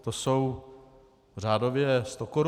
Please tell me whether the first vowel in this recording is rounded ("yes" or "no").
yes